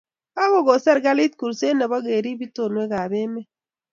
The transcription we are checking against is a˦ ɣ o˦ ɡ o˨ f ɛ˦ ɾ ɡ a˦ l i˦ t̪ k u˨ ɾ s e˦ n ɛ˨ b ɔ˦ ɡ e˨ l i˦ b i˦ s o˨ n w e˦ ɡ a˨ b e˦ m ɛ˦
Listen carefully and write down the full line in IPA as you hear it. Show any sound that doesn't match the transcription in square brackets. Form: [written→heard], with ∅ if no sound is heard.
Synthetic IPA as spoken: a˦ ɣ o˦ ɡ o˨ [f→s] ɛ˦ ɾ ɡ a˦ l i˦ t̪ k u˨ ɾ s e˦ n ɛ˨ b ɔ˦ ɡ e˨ [l→ɾ] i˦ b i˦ [s→t] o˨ n w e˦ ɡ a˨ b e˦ m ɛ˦